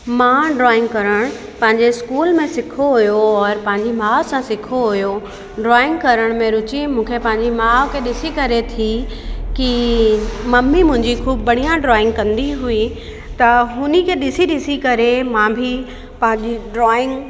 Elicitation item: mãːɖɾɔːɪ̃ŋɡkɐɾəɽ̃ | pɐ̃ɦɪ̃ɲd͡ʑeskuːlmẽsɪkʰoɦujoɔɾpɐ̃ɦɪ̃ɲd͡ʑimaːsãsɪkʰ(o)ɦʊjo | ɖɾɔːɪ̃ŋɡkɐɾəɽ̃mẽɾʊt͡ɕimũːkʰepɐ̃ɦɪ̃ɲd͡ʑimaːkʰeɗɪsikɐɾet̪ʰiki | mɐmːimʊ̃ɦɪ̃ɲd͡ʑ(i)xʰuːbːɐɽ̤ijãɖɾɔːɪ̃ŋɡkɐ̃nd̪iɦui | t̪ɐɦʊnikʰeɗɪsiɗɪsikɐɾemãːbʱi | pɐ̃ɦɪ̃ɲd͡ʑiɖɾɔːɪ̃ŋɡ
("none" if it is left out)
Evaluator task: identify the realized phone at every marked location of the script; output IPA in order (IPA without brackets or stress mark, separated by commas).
o, i